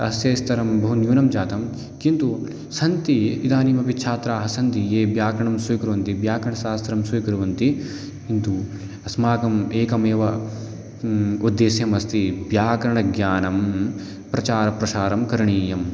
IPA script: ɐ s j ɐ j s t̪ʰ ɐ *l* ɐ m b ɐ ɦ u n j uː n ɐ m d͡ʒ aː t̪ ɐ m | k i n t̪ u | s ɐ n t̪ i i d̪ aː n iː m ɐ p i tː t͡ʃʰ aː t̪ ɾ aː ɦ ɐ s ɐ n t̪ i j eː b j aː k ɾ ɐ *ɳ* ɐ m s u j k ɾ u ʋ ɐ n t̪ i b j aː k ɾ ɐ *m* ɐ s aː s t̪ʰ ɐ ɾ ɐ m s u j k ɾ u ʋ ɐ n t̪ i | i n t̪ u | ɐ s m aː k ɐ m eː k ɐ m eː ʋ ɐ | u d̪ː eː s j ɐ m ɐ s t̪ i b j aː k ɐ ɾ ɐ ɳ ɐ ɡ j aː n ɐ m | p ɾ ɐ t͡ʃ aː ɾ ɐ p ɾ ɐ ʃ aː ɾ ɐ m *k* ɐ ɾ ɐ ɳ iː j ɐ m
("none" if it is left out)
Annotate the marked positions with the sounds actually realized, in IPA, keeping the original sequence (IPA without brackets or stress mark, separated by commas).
ɾ, ɳ, ɳ, k